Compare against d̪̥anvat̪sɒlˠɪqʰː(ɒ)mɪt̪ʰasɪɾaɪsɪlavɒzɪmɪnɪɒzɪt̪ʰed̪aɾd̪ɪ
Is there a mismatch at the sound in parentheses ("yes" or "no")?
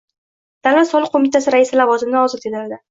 yes